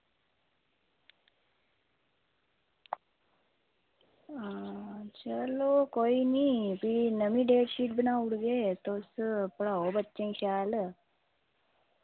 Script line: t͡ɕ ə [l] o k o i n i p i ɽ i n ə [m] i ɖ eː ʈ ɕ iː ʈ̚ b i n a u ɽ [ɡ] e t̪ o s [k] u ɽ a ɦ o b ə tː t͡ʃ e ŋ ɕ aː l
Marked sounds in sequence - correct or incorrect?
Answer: correct, correct, correct, incorrect: p

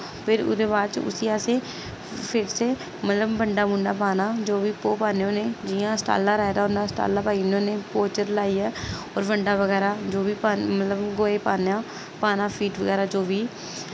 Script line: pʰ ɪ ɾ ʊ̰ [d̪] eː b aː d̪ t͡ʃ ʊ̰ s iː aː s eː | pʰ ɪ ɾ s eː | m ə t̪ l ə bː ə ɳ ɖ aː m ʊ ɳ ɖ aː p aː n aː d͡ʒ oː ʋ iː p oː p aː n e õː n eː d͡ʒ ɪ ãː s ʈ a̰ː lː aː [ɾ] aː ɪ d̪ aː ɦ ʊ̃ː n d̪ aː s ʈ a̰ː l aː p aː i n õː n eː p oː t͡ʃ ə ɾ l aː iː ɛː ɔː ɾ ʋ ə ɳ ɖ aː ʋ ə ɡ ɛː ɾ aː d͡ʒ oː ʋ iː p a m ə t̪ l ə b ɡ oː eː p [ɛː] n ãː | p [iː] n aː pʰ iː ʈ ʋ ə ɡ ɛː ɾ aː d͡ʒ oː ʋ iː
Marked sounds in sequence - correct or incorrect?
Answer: correct, correct, incorrect: aː, incorrect: aː

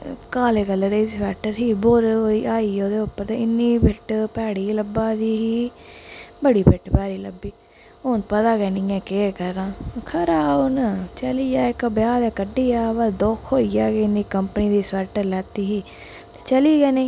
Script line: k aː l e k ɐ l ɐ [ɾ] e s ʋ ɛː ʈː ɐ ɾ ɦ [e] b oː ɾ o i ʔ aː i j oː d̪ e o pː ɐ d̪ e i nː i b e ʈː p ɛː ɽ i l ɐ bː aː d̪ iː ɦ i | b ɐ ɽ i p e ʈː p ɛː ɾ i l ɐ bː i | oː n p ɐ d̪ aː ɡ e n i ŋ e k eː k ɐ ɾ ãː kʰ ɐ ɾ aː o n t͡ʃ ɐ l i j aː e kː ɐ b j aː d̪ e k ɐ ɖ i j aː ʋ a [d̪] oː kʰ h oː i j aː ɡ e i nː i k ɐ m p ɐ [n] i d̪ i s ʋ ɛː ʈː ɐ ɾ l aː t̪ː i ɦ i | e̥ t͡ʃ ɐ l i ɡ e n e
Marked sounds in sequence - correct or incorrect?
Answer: correct, incorrect: i, correct, correct

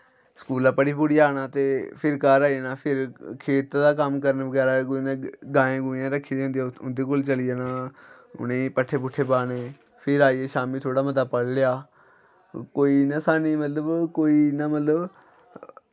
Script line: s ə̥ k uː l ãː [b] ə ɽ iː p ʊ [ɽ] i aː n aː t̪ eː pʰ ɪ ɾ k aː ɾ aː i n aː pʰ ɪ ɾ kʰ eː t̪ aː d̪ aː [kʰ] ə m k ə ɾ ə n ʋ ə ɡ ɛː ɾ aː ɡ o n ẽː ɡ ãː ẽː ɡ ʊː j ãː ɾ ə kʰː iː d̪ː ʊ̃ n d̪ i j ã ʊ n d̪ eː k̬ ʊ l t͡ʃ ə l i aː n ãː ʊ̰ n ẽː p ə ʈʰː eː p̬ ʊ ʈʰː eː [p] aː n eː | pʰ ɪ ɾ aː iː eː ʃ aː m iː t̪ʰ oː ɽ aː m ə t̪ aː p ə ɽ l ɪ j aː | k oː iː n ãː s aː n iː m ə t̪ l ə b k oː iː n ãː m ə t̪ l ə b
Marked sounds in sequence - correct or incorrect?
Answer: incorrect: p, correct, incorrect: k, correct

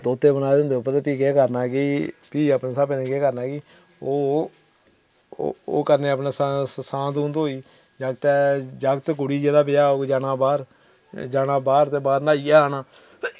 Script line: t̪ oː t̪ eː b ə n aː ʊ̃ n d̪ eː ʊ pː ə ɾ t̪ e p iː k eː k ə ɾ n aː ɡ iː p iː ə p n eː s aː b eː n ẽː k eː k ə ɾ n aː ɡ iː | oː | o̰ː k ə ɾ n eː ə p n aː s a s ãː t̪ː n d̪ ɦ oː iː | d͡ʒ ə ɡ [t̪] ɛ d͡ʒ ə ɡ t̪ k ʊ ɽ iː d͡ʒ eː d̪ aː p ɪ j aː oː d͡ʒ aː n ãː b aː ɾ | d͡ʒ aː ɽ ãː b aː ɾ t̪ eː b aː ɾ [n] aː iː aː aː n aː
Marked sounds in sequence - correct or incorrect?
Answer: correct, correct

